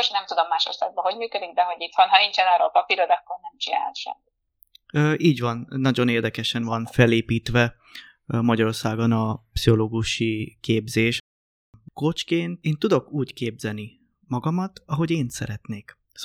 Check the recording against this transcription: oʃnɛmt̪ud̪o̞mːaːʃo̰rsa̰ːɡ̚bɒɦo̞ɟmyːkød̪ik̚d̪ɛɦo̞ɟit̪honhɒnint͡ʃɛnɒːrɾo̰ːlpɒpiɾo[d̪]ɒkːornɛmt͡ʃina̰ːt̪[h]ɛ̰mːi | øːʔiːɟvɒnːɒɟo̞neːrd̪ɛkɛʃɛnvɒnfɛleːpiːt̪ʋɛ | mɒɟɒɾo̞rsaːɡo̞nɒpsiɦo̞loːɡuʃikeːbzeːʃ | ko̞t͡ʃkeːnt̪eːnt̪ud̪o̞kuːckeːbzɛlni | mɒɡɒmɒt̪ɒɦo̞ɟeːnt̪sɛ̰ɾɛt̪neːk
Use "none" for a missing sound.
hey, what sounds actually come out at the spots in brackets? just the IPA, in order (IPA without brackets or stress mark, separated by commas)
d̪, ʃ